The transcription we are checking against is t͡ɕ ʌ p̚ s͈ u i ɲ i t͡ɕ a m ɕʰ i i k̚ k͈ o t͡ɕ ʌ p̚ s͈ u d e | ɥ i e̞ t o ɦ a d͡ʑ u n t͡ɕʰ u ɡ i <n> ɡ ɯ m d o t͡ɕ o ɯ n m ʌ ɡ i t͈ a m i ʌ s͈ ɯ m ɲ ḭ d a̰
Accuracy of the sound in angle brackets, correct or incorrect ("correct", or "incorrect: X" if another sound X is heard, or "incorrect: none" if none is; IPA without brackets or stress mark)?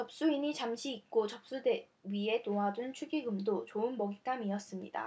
incorrect: none